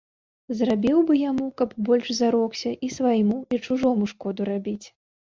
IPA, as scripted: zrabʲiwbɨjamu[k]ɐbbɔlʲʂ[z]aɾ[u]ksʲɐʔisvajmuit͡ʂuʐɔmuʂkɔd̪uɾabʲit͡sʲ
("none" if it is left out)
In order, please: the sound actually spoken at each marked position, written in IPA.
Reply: k, z, ɔ

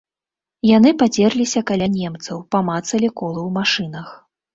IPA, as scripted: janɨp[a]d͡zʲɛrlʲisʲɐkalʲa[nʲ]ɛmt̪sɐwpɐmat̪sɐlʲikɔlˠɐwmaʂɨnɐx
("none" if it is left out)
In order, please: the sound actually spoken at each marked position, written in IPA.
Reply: a, nʲ

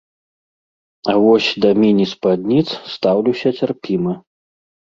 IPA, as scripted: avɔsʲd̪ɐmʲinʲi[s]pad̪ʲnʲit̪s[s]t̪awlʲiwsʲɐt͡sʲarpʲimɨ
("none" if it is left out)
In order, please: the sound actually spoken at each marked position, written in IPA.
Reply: s, s

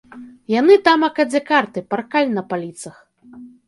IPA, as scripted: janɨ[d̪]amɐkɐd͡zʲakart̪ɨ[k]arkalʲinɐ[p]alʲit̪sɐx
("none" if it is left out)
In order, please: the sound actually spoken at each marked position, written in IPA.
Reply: t̪, p, p

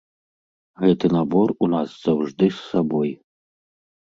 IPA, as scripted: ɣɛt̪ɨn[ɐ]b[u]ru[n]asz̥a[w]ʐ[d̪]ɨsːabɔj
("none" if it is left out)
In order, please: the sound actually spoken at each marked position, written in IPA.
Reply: a, ɔ, n, w, d̪

